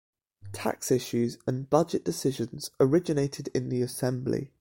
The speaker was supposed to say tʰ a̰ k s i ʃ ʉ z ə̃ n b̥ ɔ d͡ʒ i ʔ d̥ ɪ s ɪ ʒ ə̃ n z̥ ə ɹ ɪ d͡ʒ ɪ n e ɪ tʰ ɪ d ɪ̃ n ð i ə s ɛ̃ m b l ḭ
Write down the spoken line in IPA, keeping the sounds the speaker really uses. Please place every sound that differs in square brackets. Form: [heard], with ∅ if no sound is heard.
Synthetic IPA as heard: tʰ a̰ k s [ɪ] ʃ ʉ z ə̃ n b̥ [ʌ] d͡ʒ [ɪ] ʔ d̥ ɪ s ɪ ʒ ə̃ n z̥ ə ɹ ɪ d͡ʒ ɪ n e ɪ tʰ ɪ d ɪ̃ n ð i ə s ɛ̃ m b l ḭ